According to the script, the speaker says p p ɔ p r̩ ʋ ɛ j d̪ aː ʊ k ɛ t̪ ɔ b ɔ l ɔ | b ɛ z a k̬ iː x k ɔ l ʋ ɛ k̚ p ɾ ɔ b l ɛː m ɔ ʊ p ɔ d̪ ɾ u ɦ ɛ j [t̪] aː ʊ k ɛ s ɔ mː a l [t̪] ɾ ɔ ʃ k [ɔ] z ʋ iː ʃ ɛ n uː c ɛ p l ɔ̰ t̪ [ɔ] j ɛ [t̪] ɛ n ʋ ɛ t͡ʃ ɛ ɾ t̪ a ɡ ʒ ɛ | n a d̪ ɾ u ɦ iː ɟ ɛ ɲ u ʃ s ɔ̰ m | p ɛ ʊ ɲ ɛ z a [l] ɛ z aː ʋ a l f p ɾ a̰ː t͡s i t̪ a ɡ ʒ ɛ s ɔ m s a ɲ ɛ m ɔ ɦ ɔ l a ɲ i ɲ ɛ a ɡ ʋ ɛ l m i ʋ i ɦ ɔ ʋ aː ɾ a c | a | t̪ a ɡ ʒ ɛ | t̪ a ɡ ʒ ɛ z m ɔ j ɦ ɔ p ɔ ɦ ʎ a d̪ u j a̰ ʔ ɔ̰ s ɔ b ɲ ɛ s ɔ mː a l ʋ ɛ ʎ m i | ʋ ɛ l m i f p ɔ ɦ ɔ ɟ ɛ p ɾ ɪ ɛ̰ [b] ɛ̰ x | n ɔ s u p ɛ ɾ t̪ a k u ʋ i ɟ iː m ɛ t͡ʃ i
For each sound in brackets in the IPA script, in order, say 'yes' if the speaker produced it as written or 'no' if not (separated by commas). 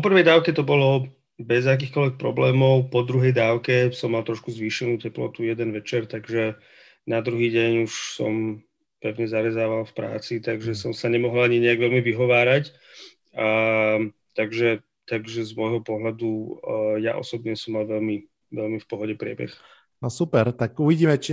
no, yes, no, no, no, no, yes